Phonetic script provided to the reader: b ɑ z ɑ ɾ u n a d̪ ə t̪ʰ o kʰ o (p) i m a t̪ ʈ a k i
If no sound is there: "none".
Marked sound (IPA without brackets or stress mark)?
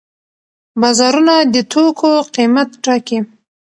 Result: q